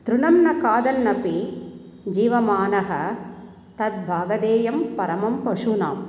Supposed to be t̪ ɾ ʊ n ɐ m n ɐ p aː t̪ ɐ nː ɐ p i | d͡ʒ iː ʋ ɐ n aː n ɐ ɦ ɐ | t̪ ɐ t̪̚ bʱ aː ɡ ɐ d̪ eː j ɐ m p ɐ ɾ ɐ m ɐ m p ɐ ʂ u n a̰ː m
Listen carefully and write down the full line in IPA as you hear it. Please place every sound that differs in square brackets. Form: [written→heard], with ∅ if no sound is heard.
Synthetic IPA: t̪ ɾ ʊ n ɐ m n ɐ [p→k] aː [t̪→d̪] ɐ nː ɐ p i | d͡ʒ iː ʋ ɐ [n→m] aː n ɐ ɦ ɐ | t̪ ɐ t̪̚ bʱ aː ɡ ɐ d̪ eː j ɐ m p ɐ ɾ ɐ m ɐ m p ɐ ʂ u n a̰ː m